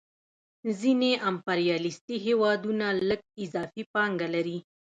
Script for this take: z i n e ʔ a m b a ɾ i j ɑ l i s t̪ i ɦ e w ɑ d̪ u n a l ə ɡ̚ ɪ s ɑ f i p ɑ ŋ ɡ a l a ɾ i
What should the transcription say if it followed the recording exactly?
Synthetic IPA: z i n e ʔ a m p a ɾ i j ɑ l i s t̪ i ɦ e w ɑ d̪ u n a l ə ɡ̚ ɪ z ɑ f i p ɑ ŋ ɡ a l a ɾ i